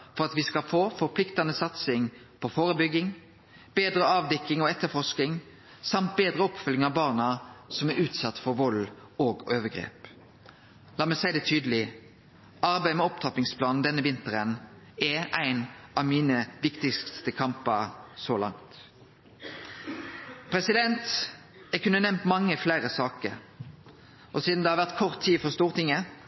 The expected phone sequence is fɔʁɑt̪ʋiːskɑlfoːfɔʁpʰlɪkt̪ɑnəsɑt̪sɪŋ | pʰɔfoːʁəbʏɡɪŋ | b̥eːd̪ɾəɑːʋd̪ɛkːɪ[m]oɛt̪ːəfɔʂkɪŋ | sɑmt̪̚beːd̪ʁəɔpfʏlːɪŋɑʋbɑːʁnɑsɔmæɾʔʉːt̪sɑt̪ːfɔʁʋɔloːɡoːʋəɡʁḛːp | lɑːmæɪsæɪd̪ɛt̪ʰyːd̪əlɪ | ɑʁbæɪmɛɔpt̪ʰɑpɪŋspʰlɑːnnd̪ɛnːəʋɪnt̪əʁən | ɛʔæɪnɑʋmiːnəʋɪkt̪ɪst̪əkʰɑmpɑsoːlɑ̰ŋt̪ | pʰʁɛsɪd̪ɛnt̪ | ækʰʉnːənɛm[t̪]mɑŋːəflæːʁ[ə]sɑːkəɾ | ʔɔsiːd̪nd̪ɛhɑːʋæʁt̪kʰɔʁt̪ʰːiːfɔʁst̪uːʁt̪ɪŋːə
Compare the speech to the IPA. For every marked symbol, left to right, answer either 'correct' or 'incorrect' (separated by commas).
incorrect, correct, correct